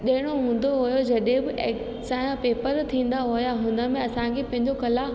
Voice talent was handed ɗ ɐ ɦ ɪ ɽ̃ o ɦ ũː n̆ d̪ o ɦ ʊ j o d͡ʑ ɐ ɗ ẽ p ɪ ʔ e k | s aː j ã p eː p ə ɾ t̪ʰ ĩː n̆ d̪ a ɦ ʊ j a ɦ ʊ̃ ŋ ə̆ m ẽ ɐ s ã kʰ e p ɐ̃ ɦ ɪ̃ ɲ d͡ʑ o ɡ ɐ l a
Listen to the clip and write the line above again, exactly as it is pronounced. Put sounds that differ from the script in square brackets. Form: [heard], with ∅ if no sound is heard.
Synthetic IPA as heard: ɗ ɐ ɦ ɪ ɽ̃ o ɦ ũː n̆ d̪ o ɦ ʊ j o d͡ʑ ɐ ɗ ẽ [b] ɪ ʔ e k | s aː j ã p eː p ə ɾ t̪ʰ ĩː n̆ d̪ a ɦ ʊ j a ɦ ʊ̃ [n] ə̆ m ẽ ɐ s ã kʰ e p ɐ̃ ɦ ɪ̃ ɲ d͡ʑ o [k] ɐ l a